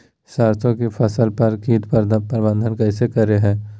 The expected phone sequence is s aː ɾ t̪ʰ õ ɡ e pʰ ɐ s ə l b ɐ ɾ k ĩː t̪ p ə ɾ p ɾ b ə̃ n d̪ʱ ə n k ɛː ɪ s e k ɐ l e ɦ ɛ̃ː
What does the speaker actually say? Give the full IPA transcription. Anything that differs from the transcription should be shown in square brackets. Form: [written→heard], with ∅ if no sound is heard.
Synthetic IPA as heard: s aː ɾ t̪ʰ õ [ɡ→k] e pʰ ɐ s ə l [b→p] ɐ ɾ k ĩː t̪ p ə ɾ p ɾ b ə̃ n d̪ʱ ə n k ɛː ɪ s e k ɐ [l→ɾ] e ɦ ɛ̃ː

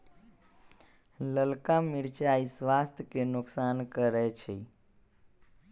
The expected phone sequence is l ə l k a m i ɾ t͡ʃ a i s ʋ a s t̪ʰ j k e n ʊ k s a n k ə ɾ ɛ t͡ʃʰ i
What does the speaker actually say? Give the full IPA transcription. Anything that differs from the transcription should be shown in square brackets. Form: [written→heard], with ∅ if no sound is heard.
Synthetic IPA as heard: l ə l k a m i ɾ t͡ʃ a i s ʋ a s t̪ʰ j k e n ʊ k s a n k ə ɾ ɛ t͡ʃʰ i

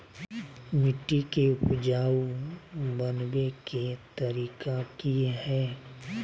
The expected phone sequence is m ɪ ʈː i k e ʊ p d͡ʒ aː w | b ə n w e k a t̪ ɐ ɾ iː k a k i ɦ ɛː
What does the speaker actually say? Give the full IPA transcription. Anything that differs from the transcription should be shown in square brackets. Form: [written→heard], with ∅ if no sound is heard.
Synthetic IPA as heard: m ɪ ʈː i k e ʊ p d͡ʒ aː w | b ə n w e k [a→e] t̪ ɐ ɾ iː k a k i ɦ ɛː

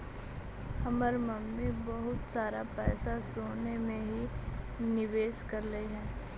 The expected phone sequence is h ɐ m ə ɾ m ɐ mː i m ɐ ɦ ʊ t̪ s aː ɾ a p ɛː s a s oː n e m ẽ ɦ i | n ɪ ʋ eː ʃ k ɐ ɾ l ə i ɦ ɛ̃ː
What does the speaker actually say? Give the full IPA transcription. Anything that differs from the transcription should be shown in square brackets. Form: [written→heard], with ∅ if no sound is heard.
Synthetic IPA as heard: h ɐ m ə ɾ m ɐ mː i [m→b] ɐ ɦ ʊ t̪ s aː ɾ a p ɛː s a s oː n e m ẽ ɦ i | n ɪ ʋ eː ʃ k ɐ ɾ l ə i ɦ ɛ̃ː

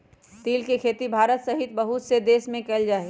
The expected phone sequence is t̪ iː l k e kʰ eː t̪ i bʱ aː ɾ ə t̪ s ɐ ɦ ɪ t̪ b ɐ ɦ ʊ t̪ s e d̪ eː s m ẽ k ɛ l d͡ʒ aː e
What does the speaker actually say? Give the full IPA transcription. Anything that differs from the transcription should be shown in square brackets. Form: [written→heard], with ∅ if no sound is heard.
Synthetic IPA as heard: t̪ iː l k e kʰ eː t̪ i bʱ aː ɾ ə t̪ s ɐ ɦ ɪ t̪ b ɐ ɦ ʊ t̪ s e d̪ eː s m ẽ k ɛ l d͡ʒ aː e

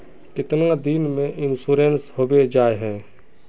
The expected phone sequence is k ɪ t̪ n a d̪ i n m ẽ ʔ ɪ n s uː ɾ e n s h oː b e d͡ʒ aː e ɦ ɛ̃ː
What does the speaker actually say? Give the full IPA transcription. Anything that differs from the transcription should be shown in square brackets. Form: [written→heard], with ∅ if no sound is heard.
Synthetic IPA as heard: k ɪ t̪ n a d̪ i n m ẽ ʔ ɪ n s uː ɾ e n s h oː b e d͡ʒ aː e ɦ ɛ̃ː

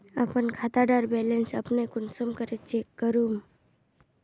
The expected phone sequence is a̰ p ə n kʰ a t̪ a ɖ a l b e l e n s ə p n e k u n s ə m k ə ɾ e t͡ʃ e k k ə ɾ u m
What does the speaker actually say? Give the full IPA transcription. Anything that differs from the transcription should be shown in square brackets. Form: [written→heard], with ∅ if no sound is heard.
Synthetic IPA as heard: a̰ p ə n kʰ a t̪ a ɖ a [l→ɾ] b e l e n s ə p n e k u n s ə m k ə ɾ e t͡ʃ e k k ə ɾ u m

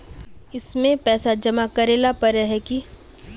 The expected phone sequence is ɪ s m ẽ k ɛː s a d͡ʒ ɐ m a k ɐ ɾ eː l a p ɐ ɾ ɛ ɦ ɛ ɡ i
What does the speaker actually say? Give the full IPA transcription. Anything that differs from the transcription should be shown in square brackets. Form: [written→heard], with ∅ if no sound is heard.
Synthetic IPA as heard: ɪ s m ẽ [k→p] ɛː s a d͡ʒ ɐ m a k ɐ ɾ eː l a p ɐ ɾ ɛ ɦ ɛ [ɡ→k] i

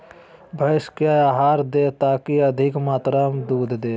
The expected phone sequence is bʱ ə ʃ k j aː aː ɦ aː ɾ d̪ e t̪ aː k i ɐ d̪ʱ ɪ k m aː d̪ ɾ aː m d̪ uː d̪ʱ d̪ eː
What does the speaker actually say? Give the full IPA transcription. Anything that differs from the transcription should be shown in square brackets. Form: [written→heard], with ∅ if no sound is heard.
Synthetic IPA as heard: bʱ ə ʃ k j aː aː ɦ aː ɾ d̪ e t̪ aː k i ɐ d̪ʱ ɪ k m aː [d̪→t̪] ɾ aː m d̪ uː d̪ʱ d̪ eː

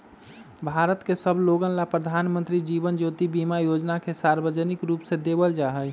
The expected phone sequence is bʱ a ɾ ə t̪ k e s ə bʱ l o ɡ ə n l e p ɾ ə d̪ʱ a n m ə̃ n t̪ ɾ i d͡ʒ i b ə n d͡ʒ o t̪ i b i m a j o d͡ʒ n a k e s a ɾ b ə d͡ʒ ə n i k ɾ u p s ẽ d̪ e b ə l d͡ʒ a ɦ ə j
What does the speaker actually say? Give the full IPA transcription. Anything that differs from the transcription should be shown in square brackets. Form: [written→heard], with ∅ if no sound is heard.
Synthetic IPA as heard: bʱ a ɾ ə t̪ k e s ə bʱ l o ɡ ə n l [e→a] p ɾ ə d̪ʱ a n m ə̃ n t̪ ɾ i d͡ʒ i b ə n d͡ʒ o t̪ i b i m a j o d͡ʒ n a k e s a ɾ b ə d͡ʒ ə n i k ɾ u p s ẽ d̪ e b ə l d͡ʒ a ɦ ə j

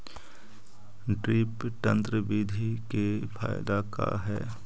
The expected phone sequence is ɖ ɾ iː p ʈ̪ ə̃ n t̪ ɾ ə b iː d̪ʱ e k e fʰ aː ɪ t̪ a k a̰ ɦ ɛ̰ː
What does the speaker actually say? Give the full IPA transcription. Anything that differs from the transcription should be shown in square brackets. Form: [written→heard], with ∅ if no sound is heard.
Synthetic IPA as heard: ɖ ɾ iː p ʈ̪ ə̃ n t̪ ɾ ə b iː d̪ʱ [e→i] k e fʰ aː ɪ [t̪→d̪] a k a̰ ɦ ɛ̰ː

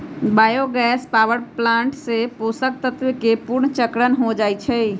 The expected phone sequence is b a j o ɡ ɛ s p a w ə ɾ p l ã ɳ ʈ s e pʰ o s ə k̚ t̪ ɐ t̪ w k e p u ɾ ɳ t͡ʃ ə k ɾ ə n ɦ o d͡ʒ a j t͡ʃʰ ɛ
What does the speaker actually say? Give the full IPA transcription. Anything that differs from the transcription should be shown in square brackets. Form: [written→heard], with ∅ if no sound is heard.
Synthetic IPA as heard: b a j o ɡ ɛ s p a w ə ɾ p l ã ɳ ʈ s e [pʰ→p] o s ə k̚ t̪ [ɐ→ə] t̪ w k e p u ɾ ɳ t͡ʃ ə k ɾ ə n ɦ o d͡ʒ a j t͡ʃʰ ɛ

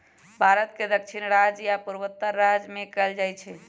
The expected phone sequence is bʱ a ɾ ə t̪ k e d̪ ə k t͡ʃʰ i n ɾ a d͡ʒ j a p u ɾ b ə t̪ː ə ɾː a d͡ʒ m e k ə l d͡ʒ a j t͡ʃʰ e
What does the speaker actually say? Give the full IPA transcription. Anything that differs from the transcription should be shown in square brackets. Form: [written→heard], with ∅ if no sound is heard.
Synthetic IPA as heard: bʱ a ɾ ə t̪ k e d̪ ə k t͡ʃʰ i n ɾ a d͡ʒ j a p u ɾ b ə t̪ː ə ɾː a d͡ʒ m e k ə l d͡ʒ a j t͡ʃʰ [e→ɛ]

